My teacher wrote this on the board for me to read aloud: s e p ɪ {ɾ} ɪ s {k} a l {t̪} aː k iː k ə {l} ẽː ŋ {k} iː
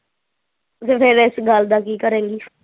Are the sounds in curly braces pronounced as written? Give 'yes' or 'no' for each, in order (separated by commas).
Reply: yes, no, no, no, no